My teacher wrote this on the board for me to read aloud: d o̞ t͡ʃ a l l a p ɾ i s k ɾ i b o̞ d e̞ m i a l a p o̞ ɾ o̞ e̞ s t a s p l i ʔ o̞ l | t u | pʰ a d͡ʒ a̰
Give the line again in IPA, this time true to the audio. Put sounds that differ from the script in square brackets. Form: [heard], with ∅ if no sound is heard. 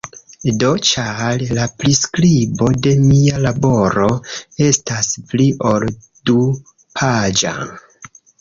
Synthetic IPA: d o̞ t͡ʃ a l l a p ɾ i s k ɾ i b o̞ d e̞ m i a l a [b] o̞ ɾ o̞ e̞ s t a s p l i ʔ o̞ l | [d] u | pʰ a d͡ʒ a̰

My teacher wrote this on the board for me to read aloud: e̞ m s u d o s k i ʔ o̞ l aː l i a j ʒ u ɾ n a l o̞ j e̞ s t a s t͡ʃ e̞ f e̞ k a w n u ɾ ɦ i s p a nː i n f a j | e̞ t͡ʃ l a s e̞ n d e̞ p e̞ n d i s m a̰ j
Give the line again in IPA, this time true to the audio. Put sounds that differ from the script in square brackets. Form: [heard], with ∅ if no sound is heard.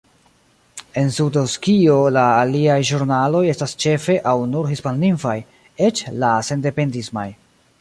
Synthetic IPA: e̞ [n] s u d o s k i [∅] o̞ l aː l i a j ʒ u ɾ n a l o̞ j e̞ s t a s t͡ʃ e̞ f e̞ [ʔ] a w n u ɾ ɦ i s p a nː i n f a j | e̞ t͡ʃ l a s e̞ n d e̞ p e̞ n d i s m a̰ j

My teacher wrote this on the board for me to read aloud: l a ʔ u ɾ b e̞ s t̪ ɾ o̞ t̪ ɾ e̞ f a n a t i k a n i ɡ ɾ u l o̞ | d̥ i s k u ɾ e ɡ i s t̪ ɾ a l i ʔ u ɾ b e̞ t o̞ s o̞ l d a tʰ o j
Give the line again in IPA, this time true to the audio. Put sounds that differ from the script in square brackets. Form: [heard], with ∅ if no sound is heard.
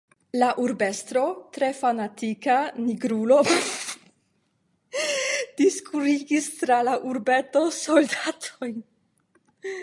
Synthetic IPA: l a ʔ u ɾ b e̞ s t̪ ɾ o̞ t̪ ɾ e̞ f a n a t i k a n i ɡ ɾ u l o̞ | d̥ i s k u ɾ [i] ɡ i s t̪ ɾ a l [a] ʔ u ɾ b e̞ t o̞ s o̞ l d a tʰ o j

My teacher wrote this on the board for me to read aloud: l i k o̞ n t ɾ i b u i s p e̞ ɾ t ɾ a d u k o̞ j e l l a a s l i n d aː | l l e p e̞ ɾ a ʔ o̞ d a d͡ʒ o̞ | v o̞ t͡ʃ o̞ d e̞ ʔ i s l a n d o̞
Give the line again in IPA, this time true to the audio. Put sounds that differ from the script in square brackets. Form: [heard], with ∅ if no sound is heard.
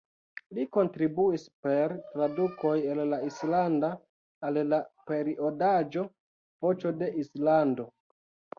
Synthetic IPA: l i k o̞ n t ɾ i b u i s p e̞ ɾ t ɾ a d u k o̞ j e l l a [i] s l [a] n d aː | l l [a] p e̞ ɾ [i] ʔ o̞ d a d͡ʒ o̞ | v o̞ t͡ʃ o̞ d e̞ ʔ i s l a n d o̞

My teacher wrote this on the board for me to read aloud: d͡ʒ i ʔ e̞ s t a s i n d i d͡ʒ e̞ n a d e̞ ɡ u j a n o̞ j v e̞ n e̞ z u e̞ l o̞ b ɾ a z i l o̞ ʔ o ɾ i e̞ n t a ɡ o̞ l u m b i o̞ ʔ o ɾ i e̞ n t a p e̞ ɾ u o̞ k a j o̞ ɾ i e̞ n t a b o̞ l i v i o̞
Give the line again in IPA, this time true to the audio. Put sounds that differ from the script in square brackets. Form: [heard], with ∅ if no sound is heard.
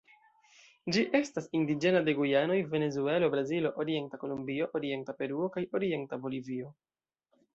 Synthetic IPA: d͡ʒ i ʔ e̞ s t a s i n d i d͡ʒ e̞ n a d e̞ ɡ u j a n o̞ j v e̞ n e̞ z u e̞ l o̞ b ɾ a z i l o̞ ʔ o ɾ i e̞ n t a [k] o̞ l u m b i o̞ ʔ o ɾ i e̞ n t a p e̞ ɾ u o̞ k a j o̞ ɾ i e̞ n t a b o̞ l i v i o̞

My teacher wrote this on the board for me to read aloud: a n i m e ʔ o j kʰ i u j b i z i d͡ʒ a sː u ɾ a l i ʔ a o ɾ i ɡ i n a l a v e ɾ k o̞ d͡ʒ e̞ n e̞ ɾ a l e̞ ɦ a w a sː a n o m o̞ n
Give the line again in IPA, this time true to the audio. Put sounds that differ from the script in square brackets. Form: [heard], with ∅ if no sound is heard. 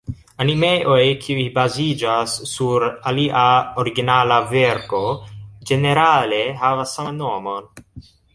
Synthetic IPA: a n i m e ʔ o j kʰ i u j b [a] z i d͡ʒ a sː u ɾ a l i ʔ a o ɾ i ɡ i n a l a v e ɾ k o̞ d͡ʒ e̞ n e̞ ɾ a l e̞ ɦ a [v] a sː a n o m o̞ n

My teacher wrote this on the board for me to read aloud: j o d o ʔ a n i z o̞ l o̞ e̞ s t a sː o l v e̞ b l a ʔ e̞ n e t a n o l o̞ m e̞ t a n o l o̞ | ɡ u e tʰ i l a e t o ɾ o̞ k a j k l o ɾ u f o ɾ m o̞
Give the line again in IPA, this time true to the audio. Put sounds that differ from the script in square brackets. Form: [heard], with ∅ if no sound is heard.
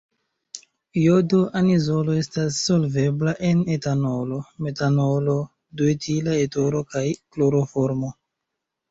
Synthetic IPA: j o d o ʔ a n i z o̞ l o̞ e̞ s t a sː o l v e̞ b l a ʔ e̞ n e t a n o l o̞ m e̞ t a n o l o̞ | [d] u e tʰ i l a e t o ɾ o̞ k a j k l o ɾ [o] f o ɾ m o̞

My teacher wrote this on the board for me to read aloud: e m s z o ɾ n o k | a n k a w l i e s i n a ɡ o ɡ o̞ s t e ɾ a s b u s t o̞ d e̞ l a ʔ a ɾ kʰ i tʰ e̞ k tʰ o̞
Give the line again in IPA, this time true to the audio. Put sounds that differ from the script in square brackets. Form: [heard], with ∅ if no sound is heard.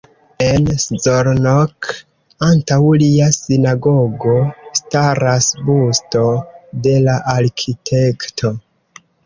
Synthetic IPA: e [n] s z o ɾ n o k | a n [t] a w l i [a] s i n a ɡ o ɡ o̞ s t [a] ɾ a s b u s t o̞ d e̞ l a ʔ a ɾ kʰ i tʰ e̞ k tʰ o̞

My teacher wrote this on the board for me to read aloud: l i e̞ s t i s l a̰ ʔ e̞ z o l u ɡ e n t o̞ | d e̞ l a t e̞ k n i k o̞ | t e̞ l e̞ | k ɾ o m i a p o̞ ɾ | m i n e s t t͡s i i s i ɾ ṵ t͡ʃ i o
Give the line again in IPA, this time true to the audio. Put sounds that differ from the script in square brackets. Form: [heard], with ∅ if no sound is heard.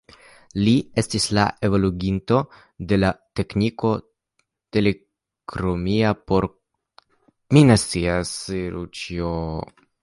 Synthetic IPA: l i e̞ s t i s l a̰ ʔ e̞ [v] o l u ɡ [i] n t o̞ | d e̞ l a t e̞ k n i k o̞ | t e̞ l e̞ | k ɾ o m i a p o̞ ɾ | m i n e s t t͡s i [a] s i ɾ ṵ t͡ʃ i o

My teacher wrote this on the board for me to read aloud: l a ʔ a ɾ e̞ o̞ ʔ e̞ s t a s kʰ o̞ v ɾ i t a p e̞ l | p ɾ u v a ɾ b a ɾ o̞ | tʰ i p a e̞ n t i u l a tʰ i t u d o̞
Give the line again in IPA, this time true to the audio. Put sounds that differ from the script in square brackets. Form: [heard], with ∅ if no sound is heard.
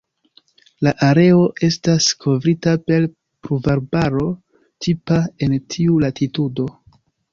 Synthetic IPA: l a ʔ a ɾ e̞ o̞ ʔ e̞ s t a s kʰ o̞ v ɾ i t a p e̞ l | p ɾ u v a ɾ b a ɾ o̞ | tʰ i p a e̞ n [tʰ] i u l a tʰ i t u d o̞

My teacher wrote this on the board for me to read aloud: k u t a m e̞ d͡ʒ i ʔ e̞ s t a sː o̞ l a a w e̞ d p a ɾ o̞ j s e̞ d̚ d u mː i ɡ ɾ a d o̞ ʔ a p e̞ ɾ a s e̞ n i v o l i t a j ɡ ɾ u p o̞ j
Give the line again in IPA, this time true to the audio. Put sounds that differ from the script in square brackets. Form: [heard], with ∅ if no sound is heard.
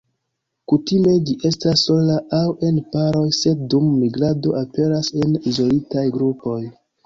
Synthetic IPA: k u t [i] m e̞ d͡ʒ i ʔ e̞ s t a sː o̞ l a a w e̞ [n] p a ɾ o̞ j s e̞ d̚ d u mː i ɡ ɾ a d o̞ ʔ a p e̞ ɾ a s e̞ n i [z] o l i t a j ɡ ɾ u p o̞ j

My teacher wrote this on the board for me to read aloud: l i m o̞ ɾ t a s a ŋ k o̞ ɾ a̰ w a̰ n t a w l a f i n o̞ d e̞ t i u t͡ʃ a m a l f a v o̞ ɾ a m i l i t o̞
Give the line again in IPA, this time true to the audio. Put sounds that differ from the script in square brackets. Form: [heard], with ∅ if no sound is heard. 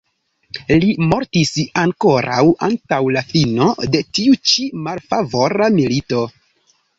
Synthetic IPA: l i m o̞ ɾ t [i] s a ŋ k o̞ ɾ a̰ w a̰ n t a w l a f i n o̞ d e̞ t i u t͡ʃ [i] m a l f a v o̞ ɾ a m i l i t o̞

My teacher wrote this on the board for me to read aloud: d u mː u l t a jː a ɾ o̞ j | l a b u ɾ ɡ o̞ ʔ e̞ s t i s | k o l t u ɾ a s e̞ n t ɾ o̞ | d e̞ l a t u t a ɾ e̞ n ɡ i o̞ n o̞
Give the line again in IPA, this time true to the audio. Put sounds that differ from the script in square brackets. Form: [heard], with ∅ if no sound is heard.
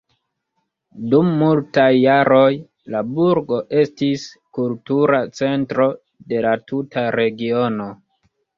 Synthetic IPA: d u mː u l t a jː a ɾ o̞ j | l a b u ɾ ɡ o̞ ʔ e̞ s t i s | k [u] l t u ɾ a [t͡s] e̞ n t ɾ o̞ | d e̞ l a t u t a ɾ e̞ [∅] ɡ i o̞ n o̞

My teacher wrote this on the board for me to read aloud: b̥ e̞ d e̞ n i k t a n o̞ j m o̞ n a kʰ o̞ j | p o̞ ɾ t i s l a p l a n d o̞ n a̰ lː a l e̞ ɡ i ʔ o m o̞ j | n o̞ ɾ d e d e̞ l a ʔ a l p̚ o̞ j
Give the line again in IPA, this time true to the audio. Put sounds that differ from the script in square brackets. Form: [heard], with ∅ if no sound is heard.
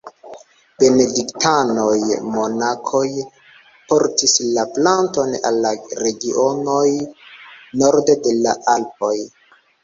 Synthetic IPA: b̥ e̞ [n] e̞ [d] i k t a n o̞ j m o̞ n a kʰ o̞ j | p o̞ ɾ t i s l a p l a n [t] o̞ n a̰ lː a [ɾ] e̞ ɡ i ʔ o [n] o̞ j | n o̞ ɾ d e d e̞ l a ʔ a l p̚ o̞ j

